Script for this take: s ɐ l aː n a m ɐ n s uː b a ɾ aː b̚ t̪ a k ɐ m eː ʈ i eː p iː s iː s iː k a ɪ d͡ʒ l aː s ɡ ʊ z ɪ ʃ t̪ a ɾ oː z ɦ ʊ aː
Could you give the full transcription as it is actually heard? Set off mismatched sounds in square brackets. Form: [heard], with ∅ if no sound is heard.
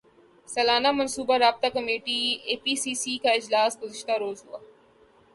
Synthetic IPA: s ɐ l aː n a m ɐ n s uː b a ɾ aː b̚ t̪ a k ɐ m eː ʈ i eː p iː s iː s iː k a ɪ d͡ʒ l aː s ɡ ʊ z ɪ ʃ t̪ a ɾ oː z ɦ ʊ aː